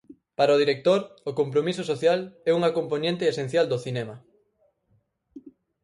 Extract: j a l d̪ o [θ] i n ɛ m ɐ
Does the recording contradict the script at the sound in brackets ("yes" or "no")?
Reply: no